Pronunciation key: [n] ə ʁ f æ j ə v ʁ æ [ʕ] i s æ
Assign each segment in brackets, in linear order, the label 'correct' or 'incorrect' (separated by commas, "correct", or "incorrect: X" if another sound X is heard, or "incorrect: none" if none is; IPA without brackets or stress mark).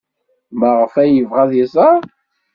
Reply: incorrect: m, incorrect: ð